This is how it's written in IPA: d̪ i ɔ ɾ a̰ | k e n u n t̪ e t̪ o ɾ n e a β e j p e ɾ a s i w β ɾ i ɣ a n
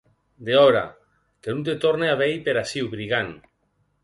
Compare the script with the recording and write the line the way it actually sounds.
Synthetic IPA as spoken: d̪ e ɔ ɾ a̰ | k e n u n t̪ e t̪ o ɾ n e a β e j p e ɾ a s i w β ɾ i ɣ a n